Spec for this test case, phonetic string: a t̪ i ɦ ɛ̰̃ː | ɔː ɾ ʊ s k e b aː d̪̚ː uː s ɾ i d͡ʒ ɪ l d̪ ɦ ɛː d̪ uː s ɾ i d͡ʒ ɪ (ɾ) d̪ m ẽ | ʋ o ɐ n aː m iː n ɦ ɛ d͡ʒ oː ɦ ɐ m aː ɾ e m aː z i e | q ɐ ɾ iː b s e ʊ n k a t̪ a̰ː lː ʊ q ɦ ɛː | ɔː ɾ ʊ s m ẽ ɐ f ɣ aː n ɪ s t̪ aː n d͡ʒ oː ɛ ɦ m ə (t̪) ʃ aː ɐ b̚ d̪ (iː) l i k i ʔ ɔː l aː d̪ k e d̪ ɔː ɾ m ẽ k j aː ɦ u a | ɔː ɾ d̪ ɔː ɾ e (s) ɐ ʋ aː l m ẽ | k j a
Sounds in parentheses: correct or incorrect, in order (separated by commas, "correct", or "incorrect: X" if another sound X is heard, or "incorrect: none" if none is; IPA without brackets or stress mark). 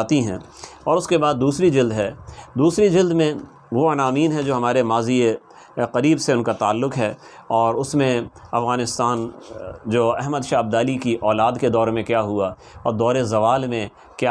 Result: incorrect: l, incorrect: d̪, incorrect: aː, incorrect: z